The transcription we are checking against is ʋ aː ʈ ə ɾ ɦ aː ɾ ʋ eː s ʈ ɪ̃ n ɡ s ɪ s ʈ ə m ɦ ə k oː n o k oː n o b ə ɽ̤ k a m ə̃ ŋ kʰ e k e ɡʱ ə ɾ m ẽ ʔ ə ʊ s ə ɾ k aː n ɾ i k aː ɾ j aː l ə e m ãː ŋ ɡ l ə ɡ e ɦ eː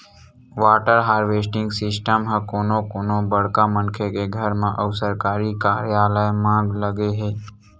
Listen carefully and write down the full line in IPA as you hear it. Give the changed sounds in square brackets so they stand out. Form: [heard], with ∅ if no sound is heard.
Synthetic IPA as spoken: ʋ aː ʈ ə ɾ ɦ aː ɾ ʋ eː s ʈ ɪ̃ [ŋ] ɡ s ɪ s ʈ ə m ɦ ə k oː n o k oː n o b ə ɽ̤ k a m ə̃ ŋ kʰ e k e ɡʱ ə ɾ m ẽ ʔ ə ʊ s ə ɾ k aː [∅] ɾ i k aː ɾ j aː l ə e m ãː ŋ ɡ l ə ɡ e ɦ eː